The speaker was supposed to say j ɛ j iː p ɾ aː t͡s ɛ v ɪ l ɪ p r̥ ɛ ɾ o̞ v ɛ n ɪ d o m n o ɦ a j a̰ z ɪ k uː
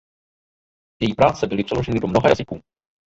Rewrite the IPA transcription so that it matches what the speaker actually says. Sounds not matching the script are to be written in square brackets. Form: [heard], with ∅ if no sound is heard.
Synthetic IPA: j ɛ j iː p ɾ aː t͡s ɛ [b] ɪ l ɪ p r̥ ɛ [l] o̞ [ʒ] ɛ n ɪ d o m n o ɦ a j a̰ z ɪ k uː